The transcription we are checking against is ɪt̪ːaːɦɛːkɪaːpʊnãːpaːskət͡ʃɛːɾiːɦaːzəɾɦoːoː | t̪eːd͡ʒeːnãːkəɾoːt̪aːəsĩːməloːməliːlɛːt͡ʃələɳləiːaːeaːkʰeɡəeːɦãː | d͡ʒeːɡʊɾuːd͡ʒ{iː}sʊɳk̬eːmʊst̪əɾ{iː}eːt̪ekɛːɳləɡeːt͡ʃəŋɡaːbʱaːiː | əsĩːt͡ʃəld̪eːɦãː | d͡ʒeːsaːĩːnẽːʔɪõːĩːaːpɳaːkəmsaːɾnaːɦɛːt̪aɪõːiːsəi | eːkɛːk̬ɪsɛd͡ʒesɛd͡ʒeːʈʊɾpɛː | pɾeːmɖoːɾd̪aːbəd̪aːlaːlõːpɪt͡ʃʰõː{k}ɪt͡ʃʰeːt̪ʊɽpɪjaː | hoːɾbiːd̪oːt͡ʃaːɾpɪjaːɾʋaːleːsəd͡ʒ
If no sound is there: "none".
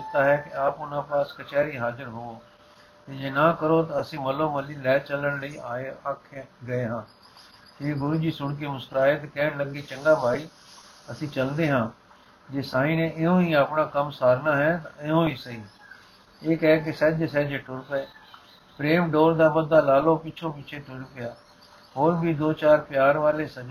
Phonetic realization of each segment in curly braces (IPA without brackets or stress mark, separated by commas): iː, aː, p